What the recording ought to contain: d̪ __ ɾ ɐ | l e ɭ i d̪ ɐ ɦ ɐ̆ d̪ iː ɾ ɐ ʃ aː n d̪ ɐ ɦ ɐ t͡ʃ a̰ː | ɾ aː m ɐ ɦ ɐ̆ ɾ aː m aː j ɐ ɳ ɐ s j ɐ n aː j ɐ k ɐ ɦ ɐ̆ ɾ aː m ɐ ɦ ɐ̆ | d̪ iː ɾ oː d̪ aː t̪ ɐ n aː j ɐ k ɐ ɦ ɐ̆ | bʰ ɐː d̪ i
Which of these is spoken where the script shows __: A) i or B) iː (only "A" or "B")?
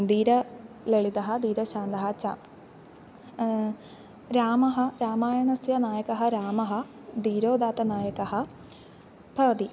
B